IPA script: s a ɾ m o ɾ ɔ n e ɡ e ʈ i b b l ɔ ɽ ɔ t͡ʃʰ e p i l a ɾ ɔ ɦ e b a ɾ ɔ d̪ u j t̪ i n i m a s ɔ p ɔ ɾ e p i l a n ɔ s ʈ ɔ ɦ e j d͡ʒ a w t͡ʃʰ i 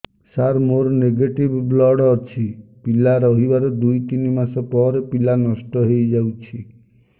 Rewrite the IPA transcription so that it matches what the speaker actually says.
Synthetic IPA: s a ɾ m o ɾ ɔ n e ɡ e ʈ i b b l ɔ ɽ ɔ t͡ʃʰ i p i l a ɾ ɔ ɦ i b a ɾ ɔ d̪ u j t̪ i n i m a s ɔ p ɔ ɾ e p i l a n ɔ s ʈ ɔ ɦ e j d͡ʒ a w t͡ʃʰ i